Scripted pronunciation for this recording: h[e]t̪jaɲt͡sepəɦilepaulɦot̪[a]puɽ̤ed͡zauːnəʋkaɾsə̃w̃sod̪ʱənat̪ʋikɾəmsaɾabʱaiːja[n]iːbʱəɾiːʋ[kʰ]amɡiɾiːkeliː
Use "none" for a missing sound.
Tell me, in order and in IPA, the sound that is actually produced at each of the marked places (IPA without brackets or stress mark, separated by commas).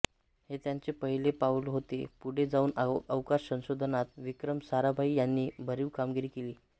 e, e, nː, k